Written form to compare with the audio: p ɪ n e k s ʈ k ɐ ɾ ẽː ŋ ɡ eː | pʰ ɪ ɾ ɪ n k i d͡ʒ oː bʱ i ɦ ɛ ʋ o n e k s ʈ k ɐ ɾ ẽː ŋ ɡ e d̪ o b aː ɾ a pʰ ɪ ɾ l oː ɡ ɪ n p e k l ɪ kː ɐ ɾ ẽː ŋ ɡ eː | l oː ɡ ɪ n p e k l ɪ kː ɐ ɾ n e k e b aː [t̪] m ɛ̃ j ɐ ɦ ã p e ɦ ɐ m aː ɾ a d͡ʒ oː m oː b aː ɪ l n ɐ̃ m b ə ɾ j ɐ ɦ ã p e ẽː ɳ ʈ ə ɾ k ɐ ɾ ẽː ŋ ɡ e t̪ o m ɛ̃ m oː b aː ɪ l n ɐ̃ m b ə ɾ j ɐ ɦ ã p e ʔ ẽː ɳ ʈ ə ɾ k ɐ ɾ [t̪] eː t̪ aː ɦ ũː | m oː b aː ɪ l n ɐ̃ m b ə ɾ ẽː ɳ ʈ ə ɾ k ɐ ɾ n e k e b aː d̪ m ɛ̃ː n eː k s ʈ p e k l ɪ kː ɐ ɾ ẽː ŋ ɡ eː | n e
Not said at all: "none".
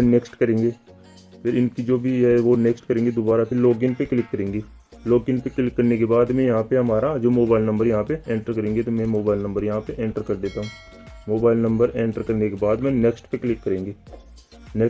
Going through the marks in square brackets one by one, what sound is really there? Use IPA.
d̪, d̪

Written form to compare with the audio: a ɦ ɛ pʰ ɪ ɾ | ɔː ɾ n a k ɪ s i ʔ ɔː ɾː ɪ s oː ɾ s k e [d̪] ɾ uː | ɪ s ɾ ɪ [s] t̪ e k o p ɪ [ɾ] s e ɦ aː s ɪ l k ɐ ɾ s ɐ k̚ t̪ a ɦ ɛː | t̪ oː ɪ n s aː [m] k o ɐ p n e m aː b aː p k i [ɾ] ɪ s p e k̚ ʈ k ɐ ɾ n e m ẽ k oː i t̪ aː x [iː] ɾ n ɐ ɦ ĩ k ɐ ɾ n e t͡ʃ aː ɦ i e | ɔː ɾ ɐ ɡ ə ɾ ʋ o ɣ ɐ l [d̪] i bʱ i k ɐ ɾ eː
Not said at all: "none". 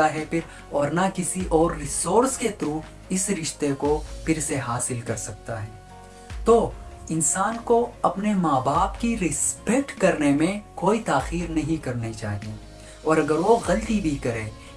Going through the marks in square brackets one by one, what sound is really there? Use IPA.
t̪, ʃ, ɾ, n, ɾ, iː, t̪

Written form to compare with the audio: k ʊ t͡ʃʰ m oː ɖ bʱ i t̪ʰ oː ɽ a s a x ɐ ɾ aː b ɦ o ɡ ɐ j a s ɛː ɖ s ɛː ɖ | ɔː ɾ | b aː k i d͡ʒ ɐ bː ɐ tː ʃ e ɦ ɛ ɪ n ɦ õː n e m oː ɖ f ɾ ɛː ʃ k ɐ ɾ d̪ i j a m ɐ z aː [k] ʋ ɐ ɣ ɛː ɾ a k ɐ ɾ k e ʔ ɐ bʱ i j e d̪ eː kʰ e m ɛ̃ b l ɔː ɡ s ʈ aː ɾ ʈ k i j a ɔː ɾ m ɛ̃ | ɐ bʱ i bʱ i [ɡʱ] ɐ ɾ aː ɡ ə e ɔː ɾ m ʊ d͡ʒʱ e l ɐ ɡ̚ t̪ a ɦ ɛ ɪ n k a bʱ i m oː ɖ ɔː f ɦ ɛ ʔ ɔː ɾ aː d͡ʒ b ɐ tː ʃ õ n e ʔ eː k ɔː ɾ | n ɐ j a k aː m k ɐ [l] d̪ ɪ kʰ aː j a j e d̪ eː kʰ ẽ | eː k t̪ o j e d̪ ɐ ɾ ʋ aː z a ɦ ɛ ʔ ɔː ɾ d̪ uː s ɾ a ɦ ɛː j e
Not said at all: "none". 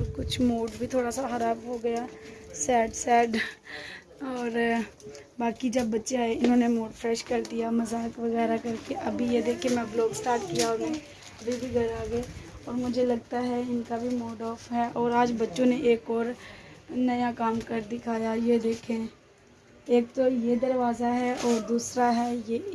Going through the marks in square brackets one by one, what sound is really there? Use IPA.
k, ɡʱ, ɾ

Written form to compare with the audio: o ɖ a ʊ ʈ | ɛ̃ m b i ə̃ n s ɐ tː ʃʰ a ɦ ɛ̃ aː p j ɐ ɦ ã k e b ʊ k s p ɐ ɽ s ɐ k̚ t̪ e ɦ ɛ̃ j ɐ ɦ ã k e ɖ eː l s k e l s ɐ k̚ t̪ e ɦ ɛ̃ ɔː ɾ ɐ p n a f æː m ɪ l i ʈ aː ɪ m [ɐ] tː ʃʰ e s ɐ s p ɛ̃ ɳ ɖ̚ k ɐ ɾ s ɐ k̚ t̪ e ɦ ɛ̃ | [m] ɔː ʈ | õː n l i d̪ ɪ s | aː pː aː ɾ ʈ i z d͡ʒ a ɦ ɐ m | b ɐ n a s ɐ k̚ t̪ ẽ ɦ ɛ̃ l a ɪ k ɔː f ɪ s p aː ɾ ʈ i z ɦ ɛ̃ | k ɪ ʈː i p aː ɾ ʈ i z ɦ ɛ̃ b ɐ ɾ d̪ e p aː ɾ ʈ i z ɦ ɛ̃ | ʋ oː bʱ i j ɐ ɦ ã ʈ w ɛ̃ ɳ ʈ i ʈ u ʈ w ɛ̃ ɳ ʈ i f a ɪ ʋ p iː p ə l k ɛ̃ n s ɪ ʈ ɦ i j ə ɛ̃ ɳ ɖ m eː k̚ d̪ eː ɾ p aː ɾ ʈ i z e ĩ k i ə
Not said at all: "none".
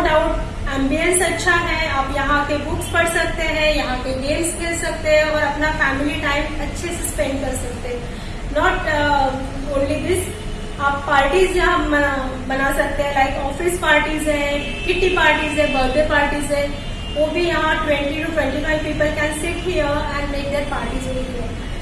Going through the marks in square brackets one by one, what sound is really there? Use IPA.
ɐ, n

